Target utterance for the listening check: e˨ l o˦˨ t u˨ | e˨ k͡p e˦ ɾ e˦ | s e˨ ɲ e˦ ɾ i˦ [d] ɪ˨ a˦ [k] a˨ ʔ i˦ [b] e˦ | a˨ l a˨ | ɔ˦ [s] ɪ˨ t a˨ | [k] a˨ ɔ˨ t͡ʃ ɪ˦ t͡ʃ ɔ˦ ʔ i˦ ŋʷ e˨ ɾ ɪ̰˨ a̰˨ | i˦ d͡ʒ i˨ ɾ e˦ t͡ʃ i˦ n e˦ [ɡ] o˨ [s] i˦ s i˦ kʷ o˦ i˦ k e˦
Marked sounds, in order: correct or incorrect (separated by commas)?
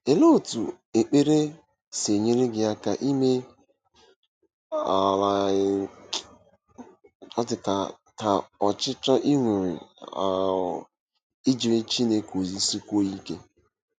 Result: incorrect, correct, incorrect, incorrect, incorrect, incorrect, incorrect